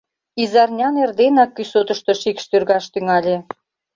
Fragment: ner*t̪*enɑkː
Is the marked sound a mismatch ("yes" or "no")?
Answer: yes